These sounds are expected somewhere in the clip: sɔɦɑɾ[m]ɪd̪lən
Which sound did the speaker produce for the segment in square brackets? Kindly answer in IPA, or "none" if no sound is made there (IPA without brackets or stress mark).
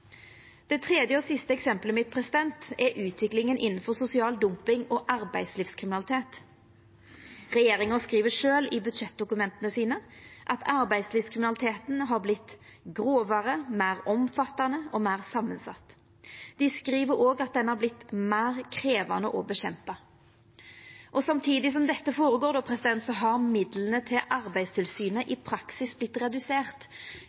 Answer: m